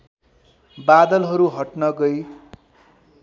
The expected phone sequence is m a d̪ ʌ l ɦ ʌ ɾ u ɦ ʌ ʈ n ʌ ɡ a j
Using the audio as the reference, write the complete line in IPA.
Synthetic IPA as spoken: b a d̪ ʌ l ɦ ʌ ɾ u ɦ ʌ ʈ n ʌ ɡ ʌ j

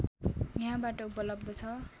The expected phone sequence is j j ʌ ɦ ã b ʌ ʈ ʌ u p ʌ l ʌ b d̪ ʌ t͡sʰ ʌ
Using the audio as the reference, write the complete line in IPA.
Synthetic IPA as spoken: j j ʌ ɦ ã b a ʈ ʌ u p ʌ l ʌ b d̪ ʌ t͡sʰ ʌ

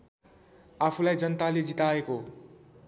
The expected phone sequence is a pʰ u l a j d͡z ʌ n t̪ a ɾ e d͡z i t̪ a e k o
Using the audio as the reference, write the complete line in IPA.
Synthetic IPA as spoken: a pʰ u l a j d͡z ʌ n t̪ a l e d͡z i t̪ a e k o

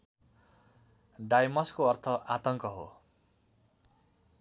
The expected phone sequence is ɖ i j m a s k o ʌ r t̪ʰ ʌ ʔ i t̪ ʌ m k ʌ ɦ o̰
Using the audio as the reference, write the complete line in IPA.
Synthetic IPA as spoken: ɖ a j m ʌ s k o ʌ r t̪ʰ ʌ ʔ a t̪ ʌ ŋ k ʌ ɦ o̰

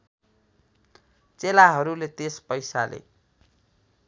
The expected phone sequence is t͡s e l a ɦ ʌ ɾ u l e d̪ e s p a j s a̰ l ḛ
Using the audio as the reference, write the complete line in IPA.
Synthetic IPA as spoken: t͡s e l a ɦ ʌ ɾ u l e t̪ e s p ʌ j s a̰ l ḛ

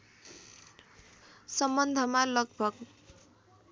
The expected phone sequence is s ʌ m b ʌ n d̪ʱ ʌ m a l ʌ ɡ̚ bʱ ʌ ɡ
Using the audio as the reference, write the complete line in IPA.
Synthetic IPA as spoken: s ʌ m b ʌ n d̪ʱ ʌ m a l ʌ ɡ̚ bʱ ʌ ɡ

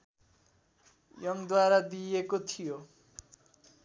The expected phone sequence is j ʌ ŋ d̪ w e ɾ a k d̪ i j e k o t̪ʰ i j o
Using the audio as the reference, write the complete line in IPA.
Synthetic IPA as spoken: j ʌ ŋ d̪ w a ɾ a d̪ i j e k o t̪ʰ i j o

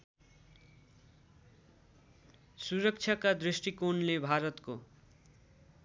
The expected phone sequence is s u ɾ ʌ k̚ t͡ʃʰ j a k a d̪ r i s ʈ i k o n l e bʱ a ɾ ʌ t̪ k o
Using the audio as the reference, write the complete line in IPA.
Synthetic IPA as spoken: s u ɾ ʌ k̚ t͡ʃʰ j a k a d̪ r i s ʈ i k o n l e bʱ a ɾ ʌ t̪ k o

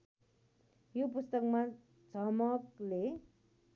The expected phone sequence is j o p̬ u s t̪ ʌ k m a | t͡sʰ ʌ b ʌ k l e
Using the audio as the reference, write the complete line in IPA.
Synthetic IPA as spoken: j o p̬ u s t̪ ʌ k m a | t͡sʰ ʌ m ʌ k l e

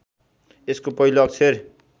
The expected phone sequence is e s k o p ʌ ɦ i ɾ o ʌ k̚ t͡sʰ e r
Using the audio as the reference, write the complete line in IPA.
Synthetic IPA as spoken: e s k o p ʌ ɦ i l o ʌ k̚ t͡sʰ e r

